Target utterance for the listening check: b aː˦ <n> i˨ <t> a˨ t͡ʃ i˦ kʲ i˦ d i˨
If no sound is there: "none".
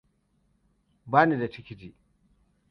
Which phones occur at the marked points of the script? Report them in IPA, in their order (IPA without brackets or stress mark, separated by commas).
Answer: n, d